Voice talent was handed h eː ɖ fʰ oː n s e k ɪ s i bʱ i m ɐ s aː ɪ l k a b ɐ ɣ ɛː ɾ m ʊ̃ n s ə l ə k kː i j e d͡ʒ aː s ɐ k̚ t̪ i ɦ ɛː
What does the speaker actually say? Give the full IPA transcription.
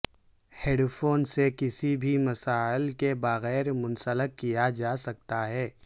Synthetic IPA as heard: h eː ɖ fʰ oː n s e k ɪ s i bʱ i m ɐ s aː ɪ l k e b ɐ ɣ ɛː ɾ m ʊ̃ n s ə l ə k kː i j a d͡ʒ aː s ɐ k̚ t̪ a ɦ ɛː